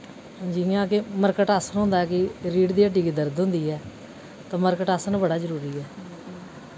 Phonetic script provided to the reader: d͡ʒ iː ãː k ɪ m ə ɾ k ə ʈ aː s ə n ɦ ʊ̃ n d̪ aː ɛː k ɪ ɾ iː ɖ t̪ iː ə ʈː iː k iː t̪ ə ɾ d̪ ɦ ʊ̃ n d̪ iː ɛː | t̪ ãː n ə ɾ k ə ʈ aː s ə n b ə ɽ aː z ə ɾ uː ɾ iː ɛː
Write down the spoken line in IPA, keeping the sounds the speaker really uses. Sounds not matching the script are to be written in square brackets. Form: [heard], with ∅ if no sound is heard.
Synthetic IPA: d͡ʒ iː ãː k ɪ m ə ɾ k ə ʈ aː s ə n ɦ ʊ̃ n d̪ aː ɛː k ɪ ɾ iː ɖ [d̪] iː ə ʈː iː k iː [d̪] ə ɾ d̪ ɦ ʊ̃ n d̪ iː ɛː | t̪ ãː [m] ə ɾ k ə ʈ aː s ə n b ə ɽ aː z ə ɾ uː ɾ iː ɛː